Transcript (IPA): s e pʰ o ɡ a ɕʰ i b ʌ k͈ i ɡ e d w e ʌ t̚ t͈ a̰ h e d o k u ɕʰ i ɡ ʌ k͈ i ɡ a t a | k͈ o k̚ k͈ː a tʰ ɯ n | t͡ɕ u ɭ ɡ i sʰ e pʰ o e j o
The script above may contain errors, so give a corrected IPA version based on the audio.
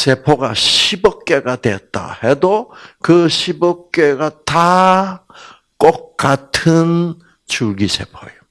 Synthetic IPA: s e pʰ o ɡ a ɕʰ i b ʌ k͈ e ɡ a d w e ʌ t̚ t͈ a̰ h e d o k ɯ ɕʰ i b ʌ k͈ e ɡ a t a | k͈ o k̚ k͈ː a tʰ ɯ n | t͡ɕ u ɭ ɡ i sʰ e pʰ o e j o